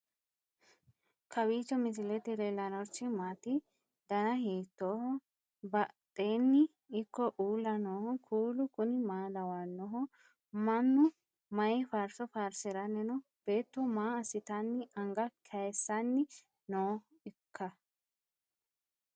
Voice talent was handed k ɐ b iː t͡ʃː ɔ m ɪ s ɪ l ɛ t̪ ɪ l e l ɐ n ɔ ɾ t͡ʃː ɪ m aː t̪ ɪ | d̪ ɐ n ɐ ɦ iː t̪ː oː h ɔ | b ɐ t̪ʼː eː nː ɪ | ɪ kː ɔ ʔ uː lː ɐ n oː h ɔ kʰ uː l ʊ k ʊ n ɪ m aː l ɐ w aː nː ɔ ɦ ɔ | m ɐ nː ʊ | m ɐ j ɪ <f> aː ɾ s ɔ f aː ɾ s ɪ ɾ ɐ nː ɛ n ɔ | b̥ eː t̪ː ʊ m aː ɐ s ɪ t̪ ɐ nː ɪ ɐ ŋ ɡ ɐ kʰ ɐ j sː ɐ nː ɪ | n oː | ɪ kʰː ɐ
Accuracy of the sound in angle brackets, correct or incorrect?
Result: correct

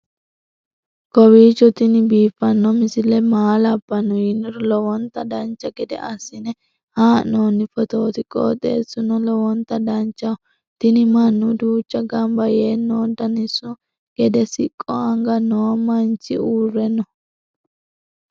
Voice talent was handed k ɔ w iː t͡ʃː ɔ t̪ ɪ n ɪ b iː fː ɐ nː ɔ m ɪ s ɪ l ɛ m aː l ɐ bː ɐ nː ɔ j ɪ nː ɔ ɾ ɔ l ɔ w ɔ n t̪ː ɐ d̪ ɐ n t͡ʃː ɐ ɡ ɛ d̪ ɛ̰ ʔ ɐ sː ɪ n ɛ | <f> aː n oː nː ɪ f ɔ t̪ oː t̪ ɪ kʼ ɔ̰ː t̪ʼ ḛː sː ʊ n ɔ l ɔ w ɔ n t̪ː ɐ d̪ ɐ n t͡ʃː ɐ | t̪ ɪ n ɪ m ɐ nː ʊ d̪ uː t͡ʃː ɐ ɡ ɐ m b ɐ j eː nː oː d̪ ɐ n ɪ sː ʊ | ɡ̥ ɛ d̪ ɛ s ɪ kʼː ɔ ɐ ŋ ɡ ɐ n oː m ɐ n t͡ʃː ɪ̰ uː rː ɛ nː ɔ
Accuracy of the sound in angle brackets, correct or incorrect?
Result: incorrect: h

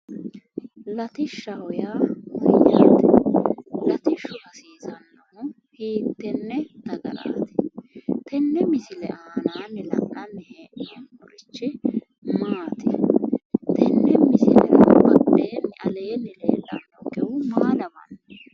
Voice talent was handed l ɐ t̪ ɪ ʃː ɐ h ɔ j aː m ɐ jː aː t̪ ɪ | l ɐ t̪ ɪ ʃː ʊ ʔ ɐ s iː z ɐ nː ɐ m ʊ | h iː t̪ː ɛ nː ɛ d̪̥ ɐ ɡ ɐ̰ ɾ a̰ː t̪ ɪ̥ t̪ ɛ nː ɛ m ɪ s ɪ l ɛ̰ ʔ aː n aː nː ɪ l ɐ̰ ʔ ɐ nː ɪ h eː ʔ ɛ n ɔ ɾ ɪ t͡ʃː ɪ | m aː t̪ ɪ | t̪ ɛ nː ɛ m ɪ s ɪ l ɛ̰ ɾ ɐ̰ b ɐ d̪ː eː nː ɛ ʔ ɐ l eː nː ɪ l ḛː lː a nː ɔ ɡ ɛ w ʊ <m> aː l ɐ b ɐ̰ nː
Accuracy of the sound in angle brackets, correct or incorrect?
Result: correct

